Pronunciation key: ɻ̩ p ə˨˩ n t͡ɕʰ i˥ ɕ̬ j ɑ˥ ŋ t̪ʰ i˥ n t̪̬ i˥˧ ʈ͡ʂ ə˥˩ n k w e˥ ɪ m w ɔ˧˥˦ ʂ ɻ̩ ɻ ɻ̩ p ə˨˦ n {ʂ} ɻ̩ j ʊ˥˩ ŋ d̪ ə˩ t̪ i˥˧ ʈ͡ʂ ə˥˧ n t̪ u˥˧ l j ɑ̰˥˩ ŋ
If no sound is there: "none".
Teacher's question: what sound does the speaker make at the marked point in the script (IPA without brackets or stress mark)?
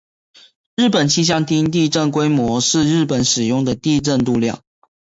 ʂ